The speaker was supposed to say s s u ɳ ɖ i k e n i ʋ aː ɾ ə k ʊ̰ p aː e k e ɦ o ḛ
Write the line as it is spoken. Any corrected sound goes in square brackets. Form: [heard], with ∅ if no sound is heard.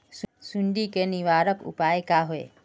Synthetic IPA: s s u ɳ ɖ i k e n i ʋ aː ɾ ə k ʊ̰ p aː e k [a] ɦ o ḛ

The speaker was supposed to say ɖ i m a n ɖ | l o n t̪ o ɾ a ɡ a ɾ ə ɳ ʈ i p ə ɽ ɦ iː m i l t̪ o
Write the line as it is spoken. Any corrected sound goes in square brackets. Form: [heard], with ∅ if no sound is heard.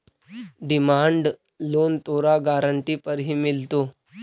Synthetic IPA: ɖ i m a [ɳ] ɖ | l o n t̪ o ɾ a ɡ a ɾ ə ɳ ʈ i p ə [ɾ] ɦ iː m i l t̪ o

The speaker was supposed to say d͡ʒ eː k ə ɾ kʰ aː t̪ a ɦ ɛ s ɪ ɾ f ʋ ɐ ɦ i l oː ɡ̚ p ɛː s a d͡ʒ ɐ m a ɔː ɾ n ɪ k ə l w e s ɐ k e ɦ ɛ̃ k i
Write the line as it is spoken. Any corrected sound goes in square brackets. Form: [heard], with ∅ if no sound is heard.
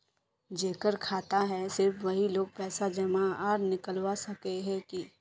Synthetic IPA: d͡ʒ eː k ə ɾ kʰ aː t̪ a ɦ ɛ s ɪ ɾ f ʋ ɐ ɦ i l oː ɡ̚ p ɛː s a d͡ʒ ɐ m a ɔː ɾ n ɪ k ə l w [a] s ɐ k e ɦ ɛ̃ k i

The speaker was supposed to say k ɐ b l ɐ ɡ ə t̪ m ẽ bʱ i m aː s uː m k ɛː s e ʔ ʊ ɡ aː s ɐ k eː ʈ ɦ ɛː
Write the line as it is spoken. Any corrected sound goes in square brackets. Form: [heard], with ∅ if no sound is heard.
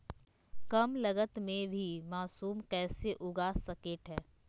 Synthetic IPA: k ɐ [m] l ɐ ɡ ə t̪ m ẽ bʱ i m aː s uː m k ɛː s e ʔ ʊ ɡ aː s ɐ k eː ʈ ɦ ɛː

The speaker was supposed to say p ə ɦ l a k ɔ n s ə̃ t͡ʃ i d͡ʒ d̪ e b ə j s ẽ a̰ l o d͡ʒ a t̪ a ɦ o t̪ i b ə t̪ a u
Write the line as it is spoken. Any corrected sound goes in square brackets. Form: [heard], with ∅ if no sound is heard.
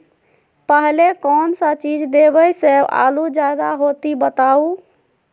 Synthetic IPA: p ə ɦ l [e] k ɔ n s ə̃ t͡ʃ i d͡ʒ d̪ e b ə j s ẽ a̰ l [u] d͡ʒ a [d̪] a ɦ o t̪ i b ə t̪ a u

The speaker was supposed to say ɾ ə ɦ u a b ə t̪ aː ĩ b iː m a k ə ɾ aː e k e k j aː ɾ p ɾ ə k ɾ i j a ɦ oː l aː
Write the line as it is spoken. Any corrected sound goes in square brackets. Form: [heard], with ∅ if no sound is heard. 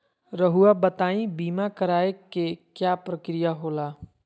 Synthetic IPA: ɾ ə ɦ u a b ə t̪ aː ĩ b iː m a k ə ɾ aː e k e k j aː [∅] p ɾ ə k ɾ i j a ɦ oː l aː

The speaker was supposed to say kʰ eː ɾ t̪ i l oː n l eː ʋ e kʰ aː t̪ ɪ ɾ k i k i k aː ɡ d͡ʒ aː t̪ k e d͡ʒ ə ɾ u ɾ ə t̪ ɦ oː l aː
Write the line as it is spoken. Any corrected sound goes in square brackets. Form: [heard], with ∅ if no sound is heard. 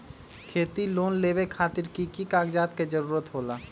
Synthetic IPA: kʰ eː [∅] t̪ i l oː n l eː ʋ e kʰ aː t̪ ɪ ɾ k i k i k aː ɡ d͡ʒ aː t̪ k e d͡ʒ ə ɾ [uː] ɾ ə t̪ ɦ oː l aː

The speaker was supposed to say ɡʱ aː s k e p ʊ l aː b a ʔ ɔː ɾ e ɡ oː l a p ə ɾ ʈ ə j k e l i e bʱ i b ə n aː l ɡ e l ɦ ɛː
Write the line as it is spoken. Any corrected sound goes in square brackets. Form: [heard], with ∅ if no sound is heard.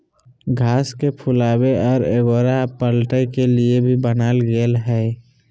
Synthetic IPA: ɡʱ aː s k e [pʰ] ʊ l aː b [e] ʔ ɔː ɾ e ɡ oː [ɾ] a p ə [l] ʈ ə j k e l i e bʱ i b ə n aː l ɡ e l ɦ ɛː

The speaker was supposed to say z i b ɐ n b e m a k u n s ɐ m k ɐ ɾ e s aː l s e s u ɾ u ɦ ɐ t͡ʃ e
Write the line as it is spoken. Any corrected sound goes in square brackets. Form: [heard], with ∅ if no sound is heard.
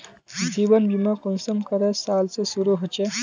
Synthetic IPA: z i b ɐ n b [i] m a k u n s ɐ m k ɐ ɾ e s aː l s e s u ɾ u ɦ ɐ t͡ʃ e

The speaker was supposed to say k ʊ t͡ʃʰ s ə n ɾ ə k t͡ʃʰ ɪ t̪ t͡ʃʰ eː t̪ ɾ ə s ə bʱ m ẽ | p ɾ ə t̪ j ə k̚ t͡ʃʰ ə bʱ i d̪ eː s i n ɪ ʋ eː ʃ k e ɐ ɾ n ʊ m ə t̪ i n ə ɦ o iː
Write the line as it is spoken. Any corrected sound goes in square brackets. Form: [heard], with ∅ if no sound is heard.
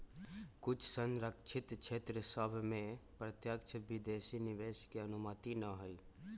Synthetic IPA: k ʊ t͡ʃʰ s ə n ɾ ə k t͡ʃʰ ɪ t̪ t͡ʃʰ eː t̪ ɾ ə s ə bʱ m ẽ | p ɾ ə t̪ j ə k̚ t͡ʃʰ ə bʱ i d̪ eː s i n ɪ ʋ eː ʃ k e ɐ [∅] n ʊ m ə t̪ i n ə ɦ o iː

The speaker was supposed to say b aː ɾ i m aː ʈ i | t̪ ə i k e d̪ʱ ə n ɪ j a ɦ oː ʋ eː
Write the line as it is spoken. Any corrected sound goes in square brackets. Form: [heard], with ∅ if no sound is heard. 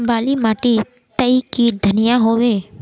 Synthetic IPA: b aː [l] i m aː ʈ i | t̪ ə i k [i] d̪ʱ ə n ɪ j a ɦ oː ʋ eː

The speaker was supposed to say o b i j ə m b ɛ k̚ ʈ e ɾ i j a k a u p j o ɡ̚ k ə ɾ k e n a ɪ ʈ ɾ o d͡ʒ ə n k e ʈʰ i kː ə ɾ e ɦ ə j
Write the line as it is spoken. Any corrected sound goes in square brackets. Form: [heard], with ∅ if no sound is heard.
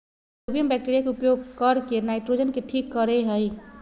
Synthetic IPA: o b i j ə m b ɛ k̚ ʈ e ɾ i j a k [e] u p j o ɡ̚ k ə ɾ k e n a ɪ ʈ ɾ o d͡ʒ ə n k e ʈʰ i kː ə ɾ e ɦ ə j

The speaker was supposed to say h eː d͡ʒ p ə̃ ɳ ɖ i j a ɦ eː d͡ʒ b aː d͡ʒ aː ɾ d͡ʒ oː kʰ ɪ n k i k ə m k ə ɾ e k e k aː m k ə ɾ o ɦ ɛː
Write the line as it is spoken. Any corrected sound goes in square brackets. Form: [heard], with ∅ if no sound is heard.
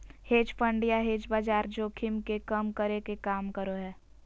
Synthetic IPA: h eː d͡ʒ p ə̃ ɳ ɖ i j a ɦ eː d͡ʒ b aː d͡ʒ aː ɾ d͡ʒ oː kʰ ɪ [m] k [e] k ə m k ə ɾ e k e k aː m k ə ɾ o ɦ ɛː

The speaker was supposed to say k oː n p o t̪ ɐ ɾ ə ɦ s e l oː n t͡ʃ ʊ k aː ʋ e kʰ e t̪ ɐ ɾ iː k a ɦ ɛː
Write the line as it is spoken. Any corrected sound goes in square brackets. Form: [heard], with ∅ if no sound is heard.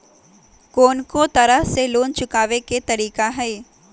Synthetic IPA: k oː n [k] o t̪ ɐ ɾ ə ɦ s e l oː n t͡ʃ ʊ k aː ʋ e [k] e t̪ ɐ ɾ iː k a ɦ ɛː

